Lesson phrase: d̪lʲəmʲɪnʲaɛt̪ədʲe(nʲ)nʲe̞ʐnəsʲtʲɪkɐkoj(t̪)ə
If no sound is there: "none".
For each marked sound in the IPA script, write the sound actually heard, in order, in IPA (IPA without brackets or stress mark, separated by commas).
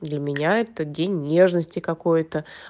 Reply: nʲ, t̪